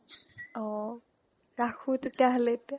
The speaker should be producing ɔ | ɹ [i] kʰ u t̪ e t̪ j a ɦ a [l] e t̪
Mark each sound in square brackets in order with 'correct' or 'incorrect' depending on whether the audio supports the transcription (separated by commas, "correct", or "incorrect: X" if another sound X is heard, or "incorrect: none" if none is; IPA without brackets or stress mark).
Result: incorrect: a, correct